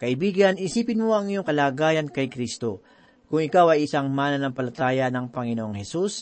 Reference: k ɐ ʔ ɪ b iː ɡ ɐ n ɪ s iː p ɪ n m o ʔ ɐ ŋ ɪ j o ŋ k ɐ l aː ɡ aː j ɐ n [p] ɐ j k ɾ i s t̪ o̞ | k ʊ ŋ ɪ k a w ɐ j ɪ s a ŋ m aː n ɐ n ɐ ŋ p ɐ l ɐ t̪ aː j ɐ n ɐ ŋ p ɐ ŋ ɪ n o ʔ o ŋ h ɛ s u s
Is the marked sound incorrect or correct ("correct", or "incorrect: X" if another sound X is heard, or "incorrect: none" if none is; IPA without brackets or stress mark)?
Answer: incorrect: k